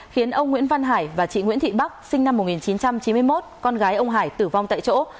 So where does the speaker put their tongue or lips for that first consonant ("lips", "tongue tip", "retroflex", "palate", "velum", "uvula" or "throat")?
velum